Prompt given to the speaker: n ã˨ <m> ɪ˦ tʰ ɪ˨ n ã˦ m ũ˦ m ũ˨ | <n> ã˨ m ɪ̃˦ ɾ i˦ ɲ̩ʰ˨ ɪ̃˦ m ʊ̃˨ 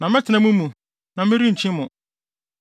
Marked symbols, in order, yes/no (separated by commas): yes, yes